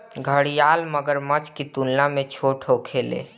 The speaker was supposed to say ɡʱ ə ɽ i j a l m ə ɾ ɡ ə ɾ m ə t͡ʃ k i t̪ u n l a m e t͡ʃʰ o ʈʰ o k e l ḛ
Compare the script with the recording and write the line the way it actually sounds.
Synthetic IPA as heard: ɡʱ ə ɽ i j a l m ə ɡ ə ɾ m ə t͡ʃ k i t̪ u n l a m e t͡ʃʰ o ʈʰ o kʰ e l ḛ